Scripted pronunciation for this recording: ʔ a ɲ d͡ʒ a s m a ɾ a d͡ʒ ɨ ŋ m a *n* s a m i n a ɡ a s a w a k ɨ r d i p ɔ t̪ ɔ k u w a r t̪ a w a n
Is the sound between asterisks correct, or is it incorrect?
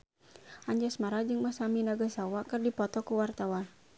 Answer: incorrect